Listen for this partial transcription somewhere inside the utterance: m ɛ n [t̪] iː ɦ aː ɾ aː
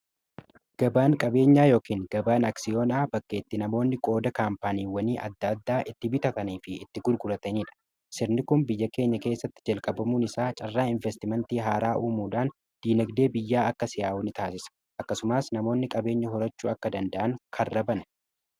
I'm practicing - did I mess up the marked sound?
no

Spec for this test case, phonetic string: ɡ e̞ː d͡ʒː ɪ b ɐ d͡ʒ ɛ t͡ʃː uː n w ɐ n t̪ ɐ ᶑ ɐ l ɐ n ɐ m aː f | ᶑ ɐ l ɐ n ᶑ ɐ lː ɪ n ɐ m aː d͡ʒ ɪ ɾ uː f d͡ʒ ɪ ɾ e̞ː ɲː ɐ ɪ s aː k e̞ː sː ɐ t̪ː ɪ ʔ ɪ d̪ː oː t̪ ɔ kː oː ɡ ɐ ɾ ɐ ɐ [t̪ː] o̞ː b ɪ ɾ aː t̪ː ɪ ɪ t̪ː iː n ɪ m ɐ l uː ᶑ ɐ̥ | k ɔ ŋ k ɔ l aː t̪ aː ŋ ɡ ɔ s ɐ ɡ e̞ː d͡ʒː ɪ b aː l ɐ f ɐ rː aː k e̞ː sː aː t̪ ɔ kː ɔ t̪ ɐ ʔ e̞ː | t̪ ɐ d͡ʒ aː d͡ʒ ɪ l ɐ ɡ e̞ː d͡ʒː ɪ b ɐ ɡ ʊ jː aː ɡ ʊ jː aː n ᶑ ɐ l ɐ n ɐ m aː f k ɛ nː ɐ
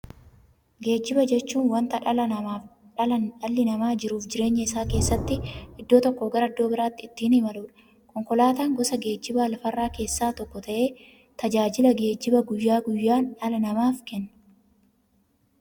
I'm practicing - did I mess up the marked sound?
yes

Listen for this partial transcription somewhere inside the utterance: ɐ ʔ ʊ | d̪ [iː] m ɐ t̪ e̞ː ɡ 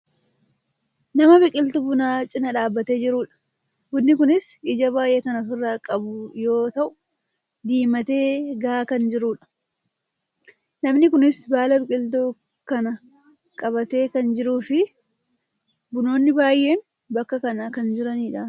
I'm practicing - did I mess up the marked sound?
no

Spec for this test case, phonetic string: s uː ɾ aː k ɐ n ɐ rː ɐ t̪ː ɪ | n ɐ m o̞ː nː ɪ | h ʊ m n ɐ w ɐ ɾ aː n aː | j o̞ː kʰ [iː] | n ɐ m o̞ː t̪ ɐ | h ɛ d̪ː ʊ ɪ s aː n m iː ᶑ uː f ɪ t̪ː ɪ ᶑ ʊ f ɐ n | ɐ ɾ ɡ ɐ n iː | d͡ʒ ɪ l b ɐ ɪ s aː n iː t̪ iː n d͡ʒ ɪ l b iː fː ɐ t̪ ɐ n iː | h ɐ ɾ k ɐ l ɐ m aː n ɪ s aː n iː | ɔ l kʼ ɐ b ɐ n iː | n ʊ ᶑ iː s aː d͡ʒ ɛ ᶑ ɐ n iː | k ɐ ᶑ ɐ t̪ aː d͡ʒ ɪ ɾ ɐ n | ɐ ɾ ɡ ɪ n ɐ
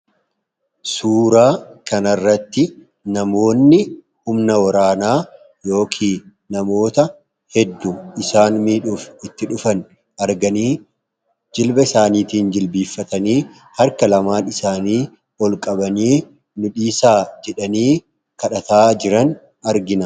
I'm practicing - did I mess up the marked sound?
no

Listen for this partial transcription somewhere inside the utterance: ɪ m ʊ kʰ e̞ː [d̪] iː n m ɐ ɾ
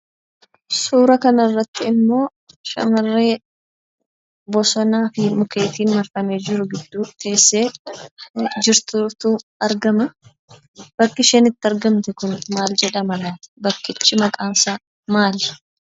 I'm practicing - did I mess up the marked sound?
yes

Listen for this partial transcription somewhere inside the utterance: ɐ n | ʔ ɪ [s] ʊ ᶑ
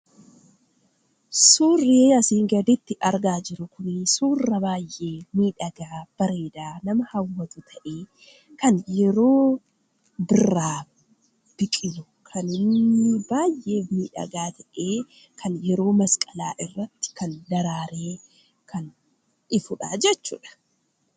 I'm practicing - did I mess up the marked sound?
yes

